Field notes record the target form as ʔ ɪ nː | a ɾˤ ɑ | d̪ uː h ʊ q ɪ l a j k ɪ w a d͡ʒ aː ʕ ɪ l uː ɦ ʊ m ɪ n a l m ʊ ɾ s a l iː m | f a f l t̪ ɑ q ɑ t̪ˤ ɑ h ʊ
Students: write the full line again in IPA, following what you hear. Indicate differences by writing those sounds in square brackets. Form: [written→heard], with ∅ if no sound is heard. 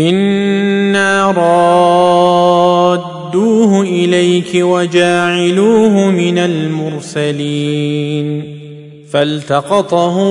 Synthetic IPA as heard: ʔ ɪ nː | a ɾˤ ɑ | d̪ uː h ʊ [q→ʔ] ɪ l a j k ɪ w a d͡ʒ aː ʕ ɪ l uː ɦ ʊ m ɪ n a l m ʊ ɾ s a l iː [m→n] | f a [f→∅] l t̪ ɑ q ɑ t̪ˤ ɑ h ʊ